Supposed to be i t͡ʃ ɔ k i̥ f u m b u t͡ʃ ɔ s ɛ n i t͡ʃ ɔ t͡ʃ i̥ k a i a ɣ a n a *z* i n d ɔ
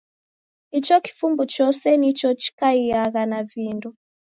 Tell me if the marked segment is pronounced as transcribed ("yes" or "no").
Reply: no